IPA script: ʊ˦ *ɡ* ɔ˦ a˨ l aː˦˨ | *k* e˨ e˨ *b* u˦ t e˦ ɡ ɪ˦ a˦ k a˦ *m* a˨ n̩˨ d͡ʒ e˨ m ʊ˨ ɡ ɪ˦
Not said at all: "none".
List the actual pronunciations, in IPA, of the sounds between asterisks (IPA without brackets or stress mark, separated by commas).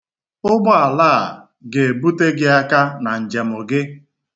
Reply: ɡ͡b, ɡ, b, n